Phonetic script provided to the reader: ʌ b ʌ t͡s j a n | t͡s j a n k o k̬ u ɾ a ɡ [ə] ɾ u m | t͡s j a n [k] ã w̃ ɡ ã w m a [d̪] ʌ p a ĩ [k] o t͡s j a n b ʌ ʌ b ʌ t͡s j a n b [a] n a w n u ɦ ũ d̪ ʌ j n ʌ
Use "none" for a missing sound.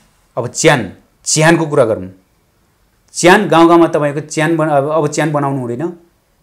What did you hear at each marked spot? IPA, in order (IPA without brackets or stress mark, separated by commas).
ʌ, ɡ, t̪, k, ʌ